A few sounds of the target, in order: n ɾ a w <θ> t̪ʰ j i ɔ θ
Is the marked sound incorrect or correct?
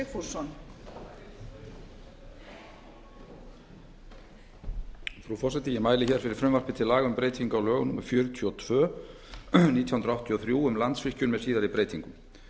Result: incorrect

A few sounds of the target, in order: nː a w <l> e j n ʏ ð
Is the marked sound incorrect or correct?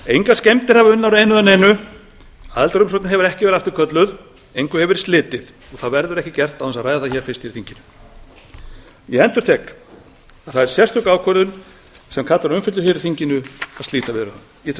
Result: incorrect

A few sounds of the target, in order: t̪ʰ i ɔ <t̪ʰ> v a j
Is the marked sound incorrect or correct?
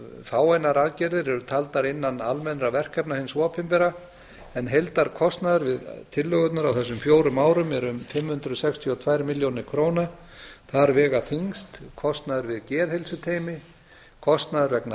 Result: correct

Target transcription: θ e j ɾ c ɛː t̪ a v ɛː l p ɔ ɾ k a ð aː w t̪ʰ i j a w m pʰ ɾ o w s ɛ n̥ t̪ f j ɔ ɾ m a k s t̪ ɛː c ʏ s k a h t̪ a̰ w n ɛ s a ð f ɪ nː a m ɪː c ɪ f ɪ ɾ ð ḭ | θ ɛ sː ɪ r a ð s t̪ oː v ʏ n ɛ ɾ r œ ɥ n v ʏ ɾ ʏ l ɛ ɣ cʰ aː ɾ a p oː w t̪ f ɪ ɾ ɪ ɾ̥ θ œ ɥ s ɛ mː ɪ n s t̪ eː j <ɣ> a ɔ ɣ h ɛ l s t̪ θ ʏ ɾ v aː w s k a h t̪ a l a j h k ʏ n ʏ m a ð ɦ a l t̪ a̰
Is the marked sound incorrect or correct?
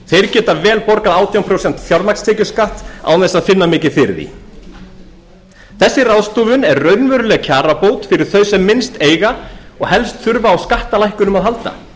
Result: correct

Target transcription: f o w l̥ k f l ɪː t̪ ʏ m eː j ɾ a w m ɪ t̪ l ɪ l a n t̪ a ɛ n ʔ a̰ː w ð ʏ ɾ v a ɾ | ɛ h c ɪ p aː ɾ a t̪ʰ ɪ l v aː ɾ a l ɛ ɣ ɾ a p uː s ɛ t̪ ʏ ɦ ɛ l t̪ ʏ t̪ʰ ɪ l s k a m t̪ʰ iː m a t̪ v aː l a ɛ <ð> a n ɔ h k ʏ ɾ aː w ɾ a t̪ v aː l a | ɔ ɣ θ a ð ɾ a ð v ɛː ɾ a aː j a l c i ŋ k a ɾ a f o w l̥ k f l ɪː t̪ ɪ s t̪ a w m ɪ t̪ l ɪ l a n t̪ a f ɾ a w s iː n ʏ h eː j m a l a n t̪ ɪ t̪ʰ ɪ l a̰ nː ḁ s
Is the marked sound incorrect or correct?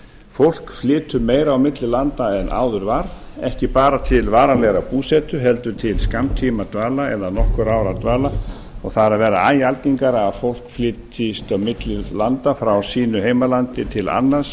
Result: correct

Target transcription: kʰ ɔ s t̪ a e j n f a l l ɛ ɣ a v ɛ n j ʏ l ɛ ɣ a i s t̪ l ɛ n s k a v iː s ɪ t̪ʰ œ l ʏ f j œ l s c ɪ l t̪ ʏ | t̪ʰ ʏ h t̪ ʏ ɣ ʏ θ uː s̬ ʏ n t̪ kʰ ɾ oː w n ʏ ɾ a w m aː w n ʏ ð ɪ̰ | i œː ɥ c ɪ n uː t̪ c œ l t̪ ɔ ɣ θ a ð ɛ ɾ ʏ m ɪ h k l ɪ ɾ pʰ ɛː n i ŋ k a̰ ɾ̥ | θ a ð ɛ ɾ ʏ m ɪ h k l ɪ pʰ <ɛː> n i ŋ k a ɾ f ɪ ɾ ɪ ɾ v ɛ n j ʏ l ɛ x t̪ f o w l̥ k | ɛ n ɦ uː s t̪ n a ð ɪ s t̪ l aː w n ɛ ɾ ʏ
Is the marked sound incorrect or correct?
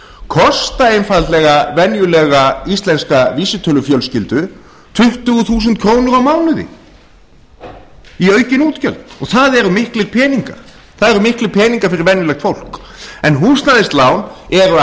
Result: correct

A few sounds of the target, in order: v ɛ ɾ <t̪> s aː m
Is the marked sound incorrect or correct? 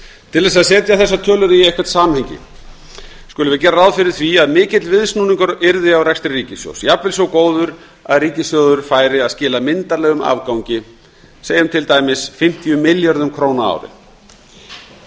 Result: correct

